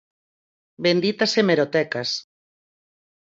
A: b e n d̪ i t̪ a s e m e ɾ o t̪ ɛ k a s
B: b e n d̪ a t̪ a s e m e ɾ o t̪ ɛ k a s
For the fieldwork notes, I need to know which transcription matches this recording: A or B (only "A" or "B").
A